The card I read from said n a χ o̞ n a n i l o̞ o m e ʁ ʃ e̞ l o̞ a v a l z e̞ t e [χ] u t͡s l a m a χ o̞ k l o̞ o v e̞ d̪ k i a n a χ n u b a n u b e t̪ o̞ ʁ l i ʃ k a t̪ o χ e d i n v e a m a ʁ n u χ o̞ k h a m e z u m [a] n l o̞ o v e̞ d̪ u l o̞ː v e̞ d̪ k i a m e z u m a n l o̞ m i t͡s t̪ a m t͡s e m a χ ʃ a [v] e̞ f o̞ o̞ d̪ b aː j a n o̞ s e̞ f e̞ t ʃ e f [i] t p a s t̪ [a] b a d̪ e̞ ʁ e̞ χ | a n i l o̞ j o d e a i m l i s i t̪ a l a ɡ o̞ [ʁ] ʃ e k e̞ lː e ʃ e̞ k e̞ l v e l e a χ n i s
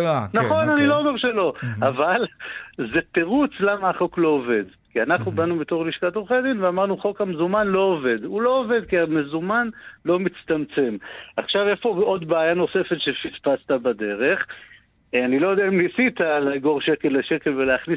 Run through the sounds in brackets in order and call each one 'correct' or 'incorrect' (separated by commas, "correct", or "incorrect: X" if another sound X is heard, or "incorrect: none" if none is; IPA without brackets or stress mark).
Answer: incorrect: ʁ, correct, correct, correct, correct, correct